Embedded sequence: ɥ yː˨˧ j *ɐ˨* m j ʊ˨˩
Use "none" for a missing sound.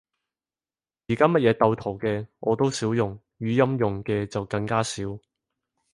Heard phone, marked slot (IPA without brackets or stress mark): ɐ˥